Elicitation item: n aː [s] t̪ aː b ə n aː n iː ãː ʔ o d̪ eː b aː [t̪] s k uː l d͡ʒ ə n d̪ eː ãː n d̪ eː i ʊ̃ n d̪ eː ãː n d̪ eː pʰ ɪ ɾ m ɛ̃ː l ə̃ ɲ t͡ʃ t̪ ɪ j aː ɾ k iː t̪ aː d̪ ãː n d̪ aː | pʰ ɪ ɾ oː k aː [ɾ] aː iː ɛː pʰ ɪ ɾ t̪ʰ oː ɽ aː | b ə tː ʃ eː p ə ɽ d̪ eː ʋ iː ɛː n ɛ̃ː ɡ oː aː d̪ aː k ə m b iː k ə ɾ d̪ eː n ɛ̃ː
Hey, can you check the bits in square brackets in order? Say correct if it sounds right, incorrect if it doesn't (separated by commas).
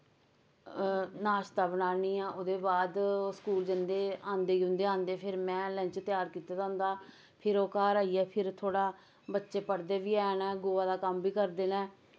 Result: incorrect, incorrect, correct